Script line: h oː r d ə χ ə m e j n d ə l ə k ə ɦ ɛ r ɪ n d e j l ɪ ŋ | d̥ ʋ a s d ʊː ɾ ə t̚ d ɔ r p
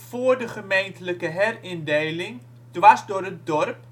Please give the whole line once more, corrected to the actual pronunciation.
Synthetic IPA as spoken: f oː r d ə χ ə m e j n t ə l ə k ə ɦ ɛ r ɪ n d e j l ɪ ŋ | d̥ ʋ a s d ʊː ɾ ə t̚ d ɔ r p